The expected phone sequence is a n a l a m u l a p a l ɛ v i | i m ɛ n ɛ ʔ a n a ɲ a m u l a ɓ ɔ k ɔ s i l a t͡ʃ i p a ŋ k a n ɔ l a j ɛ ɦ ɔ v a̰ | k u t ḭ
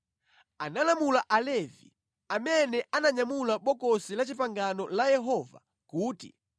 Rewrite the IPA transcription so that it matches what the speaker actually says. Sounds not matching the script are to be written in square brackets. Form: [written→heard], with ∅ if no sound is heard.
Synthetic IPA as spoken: a n a l a m u l a [p→ʔ] a l ɛ v i | [i→a] m ɛ n ɛ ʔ a n a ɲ a m u l a ɓ ɔ k ɔ s i l a t͡ʃ i p a ŋ [k→ɡ] a n ɔ l a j ɛ ɦ ɔ v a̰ | k [u→uː] t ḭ